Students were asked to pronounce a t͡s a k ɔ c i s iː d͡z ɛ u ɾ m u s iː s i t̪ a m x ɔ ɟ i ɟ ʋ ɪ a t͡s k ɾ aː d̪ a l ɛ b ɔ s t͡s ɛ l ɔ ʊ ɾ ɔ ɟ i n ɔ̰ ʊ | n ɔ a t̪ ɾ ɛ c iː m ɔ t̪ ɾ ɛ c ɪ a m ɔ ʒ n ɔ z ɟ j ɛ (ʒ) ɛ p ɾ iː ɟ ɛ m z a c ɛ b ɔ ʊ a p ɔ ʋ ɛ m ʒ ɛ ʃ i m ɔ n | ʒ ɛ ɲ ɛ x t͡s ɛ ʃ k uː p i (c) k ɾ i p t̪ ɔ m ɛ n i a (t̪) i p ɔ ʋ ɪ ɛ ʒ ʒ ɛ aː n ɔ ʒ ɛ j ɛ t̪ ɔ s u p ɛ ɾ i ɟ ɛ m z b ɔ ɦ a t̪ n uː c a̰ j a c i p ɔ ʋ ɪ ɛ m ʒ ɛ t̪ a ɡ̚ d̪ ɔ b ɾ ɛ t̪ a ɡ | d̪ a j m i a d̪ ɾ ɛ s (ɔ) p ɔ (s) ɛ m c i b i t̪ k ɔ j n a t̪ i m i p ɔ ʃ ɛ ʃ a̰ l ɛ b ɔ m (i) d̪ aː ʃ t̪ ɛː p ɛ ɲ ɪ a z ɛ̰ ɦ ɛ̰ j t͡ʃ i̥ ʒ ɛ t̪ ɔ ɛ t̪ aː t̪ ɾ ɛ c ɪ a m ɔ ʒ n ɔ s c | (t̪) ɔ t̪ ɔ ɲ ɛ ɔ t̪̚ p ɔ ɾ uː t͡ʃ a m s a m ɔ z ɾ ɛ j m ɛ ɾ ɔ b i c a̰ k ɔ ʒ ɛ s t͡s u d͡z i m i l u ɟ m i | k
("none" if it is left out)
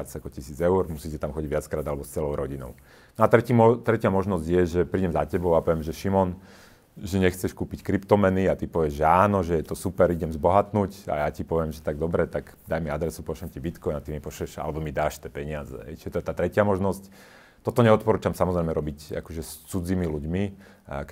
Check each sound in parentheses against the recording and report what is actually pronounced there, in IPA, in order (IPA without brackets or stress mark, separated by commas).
ʒ, c, t̪, u, ʃ, i, t̪